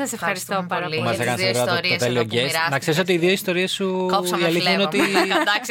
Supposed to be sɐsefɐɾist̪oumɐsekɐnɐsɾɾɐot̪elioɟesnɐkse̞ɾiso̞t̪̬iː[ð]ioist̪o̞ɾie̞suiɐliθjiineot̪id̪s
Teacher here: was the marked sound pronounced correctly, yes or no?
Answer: yes